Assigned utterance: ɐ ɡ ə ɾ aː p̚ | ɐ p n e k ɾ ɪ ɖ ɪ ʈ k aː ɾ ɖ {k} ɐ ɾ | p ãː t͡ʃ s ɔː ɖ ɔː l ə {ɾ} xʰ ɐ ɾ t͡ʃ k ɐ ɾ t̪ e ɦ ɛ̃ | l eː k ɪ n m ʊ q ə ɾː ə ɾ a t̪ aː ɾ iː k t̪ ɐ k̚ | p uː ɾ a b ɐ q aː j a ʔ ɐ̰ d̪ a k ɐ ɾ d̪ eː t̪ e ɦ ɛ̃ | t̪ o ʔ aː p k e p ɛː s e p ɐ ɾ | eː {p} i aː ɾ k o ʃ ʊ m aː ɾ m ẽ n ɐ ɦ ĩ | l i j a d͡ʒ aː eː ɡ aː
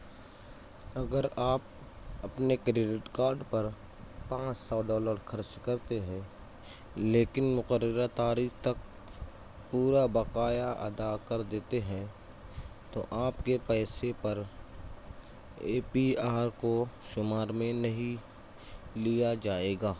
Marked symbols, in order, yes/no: no, yes, yes

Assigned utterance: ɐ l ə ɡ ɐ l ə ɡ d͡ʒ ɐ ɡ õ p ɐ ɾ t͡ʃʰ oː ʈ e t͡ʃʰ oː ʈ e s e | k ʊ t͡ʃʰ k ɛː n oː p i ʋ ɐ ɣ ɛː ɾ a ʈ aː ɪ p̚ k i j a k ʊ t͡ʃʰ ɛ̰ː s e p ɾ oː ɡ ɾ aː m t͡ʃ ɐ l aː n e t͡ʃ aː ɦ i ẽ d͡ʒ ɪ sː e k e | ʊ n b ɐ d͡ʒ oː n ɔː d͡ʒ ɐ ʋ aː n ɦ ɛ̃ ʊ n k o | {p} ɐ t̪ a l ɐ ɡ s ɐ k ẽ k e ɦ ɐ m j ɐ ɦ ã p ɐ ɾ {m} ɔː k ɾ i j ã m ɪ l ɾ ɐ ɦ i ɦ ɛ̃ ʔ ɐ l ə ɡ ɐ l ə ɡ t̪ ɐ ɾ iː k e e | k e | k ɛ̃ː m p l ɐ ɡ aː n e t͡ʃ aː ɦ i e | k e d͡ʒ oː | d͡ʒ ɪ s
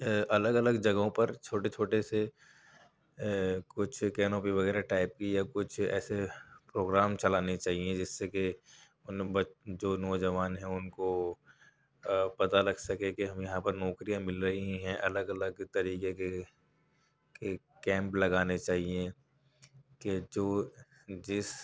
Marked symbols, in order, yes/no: yes, no

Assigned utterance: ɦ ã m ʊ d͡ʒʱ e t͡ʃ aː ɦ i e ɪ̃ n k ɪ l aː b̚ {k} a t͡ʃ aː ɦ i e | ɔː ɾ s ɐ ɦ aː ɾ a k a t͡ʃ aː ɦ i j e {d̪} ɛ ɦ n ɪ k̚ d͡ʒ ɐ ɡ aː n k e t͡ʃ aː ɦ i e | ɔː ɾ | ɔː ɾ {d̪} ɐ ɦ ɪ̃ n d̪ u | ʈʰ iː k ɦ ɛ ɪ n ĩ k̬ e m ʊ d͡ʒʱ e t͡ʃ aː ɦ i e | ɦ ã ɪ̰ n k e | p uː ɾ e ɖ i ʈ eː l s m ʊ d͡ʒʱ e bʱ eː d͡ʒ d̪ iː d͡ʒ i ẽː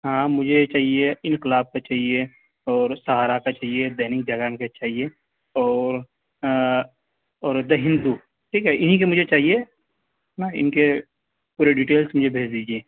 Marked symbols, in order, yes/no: yes, yes, yes

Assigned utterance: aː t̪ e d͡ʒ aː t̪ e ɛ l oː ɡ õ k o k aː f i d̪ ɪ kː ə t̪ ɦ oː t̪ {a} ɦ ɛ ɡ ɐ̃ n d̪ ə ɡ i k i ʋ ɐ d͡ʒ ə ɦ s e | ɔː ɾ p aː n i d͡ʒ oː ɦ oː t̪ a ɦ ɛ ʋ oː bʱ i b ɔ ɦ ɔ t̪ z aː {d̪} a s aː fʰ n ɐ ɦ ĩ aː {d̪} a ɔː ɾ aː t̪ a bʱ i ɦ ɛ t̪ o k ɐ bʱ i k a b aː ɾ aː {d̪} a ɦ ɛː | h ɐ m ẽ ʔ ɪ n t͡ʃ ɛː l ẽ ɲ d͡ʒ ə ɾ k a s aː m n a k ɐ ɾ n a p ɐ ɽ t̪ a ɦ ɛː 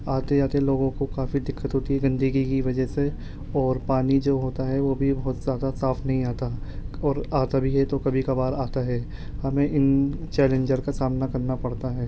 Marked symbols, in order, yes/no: no, yes, no, no

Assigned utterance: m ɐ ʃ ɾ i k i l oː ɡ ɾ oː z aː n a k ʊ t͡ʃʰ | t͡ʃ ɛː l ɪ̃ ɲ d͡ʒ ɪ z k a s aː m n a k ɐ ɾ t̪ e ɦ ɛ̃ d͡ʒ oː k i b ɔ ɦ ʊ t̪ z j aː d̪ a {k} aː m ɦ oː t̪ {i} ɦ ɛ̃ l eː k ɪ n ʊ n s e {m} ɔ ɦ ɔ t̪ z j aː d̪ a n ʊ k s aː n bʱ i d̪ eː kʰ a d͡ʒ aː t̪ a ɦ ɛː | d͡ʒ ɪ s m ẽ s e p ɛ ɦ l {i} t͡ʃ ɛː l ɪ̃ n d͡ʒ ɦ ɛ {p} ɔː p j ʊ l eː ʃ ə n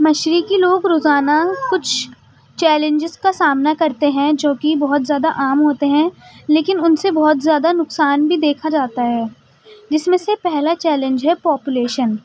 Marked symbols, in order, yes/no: no, no, no, no, yes

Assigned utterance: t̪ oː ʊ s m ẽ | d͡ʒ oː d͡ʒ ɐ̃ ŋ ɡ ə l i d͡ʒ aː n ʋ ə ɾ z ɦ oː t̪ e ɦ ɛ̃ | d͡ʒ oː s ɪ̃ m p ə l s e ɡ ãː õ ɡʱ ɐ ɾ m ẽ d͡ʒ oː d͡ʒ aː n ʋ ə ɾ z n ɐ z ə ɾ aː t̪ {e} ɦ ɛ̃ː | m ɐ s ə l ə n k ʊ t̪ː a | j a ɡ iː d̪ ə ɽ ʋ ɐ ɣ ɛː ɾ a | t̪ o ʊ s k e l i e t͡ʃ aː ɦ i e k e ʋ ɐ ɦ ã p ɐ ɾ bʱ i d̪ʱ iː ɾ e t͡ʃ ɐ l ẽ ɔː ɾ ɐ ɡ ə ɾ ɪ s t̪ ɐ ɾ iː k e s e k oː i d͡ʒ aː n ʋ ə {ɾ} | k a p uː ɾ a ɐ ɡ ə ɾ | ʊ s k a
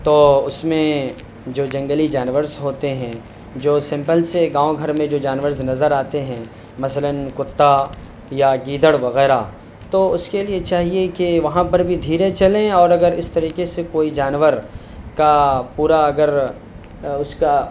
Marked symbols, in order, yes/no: yes, yes

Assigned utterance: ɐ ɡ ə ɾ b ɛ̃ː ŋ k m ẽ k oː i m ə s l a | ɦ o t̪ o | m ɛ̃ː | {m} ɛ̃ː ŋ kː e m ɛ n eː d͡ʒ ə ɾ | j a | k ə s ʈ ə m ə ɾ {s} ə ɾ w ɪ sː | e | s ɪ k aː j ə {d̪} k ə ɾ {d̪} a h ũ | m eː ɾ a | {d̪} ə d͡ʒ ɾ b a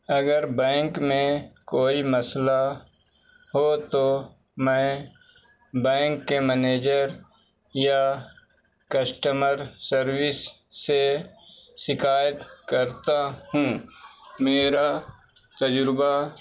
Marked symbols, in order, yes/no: no, yes, no, no, no

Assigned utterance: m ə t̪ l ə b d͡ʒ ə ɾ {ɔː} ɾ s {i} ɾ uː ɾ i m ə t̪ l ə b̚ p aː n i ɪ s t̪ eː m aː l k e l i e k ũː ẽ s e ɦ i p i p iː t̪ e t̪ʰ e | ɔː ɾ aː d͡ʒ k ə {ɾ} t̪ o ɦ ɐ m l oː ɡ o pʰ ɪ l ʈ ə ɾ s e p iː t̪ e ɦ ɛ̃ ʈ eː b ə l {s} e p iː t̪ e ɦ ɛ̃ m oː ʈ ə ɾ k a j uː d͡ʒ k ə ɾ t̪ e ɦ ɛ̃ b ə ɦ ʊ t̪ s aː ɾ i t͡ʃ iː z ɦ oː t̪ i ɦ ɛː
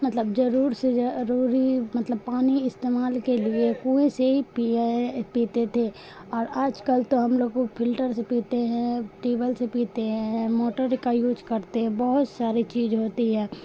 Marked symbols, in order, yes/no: no, no, no, yes

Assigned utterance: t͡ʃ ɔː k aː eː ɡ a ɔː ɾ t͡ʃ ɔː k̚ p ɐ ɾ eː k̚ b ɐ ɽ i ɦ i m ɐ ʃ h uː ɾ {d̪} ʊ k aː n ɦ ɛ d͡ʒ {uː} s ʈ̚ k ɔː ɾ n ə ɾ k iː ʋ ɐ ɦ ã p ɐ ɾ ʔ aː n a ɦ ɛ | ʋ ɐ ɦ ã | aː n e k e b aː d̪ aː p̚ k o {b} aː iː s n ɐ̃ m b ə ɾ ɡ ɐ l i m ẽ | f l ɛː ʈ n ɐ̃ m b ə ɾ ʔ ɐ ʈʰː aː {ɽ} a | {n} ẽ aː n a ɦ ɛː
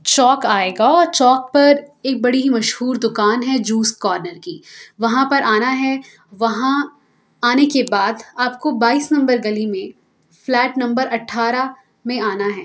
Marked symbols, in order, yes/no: yes, yes, yes, no, no

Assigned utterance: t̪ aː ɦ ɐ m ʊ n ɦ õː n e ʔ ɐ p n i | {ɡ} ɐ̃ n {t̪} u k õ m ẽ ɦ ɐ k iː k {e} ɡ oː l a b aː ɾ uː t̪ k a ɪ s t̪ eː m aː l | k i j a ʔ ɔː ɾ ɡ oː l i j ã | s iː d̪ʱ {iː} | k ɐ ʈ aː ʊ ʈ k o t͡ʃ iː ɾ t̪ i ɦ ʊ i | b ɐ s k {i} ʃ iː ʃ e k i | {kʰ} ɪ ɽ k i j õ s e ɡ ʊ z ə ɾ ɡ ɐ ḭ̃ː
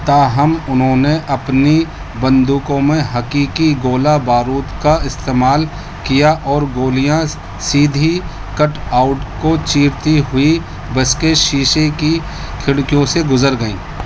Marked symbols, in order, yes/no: no, no, no, no, no, yes

